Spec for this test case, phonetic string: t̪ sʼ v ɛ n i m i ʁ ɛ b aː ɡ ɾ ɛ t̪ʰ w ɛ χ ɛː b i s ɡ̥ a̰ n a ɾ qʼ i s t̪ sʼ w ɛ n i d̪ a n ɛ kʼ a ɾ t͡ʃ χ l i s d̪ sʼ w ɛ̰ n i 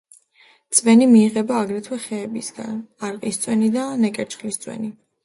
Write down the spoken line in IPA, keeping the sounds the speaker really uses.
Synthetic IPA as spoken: t̪ sʼ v ɛ n i m iː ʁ ɛ b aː ɡ ɾ ɛ t̪ʰ w ɛ χ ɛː b i s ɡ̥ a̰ n a ɾ qʼ i s t̪ sʼ w ɛ n i d̪ a n ɛ kʼ ɛ ɾ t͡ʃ χ l i s t̪ sʼ w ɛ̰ n i